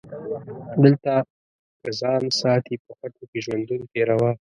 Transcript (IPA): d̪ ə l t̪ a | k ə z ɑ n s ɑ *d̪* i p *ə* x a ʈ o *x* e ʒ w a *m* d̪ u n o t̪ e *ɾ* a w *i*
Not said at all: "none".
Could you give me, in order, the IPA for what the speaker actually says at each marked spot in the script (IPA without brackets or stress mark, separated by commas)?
t̪, ə, k, n, ɾ, a